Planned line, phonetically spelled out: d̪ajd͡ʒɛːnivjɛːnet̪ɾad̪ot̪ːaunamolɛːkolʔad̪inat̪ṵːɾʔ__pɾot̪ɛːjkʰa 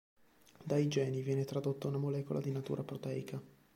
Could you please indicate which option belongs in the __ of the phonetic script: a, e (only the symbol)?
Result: a